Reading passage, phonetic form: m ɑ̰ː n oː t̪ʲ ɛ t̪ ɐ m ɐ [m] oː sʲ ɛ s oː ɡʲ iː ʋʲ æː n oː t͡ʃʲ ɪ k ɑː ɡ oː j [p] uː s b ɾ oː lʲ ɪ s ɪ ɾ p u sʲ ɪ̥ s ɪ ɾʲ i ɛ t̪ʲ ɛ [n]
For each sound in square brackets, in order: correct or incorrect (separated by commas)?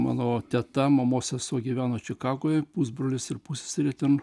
correct, correct, correct